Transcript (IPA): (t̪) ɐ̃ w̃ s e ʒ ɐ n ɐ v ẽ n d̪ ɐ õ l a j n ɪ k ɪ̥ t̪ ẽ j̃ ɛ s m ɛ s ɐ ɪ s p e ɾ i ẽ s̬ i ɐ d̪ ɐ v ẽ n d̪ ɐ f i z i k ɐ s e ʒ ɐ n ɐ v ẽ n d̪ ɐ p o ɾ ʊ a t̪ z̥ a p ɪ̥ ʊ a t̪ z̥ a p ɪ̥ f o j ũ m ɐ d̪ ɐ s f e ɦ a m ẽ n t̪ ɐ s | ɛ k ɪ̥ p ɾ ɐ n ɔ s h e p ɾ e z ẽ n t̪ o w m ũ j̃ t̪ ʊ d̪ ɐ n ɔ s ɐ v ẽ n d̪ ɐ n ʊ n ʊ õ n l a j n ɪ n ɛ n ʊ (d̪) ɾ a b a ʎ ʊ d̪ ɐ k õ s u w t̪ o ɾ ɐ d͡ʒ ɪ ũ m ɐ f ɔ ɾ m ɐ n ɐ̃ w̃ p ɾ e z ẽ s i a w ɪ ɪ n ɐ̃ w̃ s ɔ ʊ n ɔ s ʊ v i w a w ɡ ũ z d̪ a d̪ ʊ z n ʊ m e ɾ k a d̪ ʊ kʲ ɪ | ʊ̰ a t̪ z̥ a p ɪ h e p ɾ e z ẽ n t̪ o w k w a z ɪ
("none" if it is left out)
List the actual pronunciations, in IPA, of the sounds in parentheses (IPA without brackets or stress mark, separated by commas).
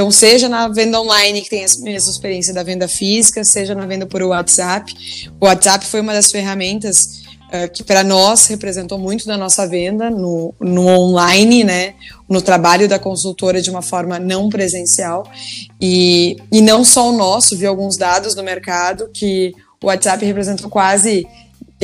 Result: t̪, t̪